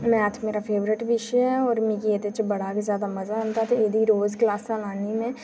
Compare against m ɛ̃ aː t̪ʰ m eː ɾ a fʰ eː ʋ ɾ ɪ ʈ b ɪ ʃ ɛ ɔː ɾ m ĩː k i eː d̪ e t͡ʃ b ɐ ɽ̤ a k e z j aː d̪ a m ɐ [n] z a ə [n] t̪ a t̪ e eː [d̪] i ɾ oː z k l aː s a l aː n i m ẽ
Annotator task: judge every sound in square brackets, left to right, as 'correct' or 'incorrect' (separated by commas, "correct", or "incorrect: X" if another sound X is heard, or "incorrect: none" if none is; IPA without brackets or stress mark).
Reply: incorrect: none, correct, correct